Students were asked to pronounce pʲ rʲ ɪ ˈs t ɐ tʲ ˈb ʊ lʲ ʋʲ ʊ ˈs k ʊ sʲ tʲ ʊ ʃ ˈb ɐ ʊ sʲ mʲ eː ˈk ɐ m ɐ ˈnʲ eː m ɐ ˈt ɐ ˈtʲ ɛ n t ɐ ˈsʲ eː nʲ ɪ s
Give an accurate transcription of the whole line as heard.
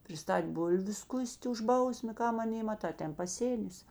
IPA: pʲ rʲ ɪ ˈs t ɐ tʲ ˈb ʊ lʲ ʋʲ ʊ ˈs k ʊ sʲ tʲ ʊ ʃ ˈb ɐ ʊ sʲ mʲ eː ˈk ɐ m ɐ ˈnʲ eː m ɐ ˈt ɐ ˈtʲ ɛ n p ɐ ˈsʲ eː nʲ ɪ s